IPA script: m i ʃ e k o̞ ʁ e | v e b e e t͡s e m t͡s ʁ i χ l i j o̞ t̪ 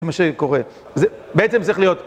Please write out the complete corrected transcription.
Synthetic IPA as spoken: m a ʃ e k o̞ ʁ e | z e b e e t͡s e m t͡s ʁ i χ l i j o̞ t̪